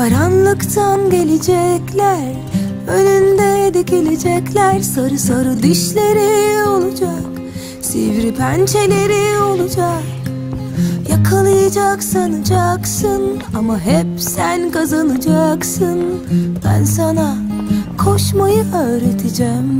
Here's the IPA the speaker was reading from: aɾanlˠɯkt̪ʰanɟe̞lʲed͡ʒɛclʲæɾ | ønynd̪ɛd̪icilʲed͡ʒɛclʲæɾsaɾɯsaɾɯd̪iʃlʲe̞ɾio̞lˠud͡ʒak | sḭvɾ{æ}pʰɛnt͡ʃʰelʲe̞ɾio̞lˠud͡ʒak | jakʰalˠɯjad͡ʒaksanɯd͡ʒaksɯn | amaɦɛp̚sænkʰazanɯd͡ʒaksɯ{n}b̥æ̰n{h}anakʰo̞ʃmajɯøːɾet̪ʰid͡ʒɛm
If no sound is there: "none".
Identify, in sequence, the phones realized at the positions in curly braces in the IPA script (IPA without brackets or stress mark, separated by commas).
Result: i, n, s